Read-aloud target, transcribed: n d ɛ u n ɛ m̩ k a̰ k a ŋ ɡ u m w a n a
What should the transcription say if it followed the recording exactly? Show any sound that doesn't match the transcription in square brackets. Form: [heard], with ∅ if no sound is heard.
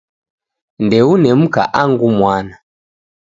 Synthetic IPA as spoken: n d ɛ u n ɛ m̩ k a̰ [ʔ] a ŋ ɡ u m w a n a